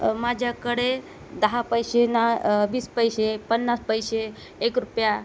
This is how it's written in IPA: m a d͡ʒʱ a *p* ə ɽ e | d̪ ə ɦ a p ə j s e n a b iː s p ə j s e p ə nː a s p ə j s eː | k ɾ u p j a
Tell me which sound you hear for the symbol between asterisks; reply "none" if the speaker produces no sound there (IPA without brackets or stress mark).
k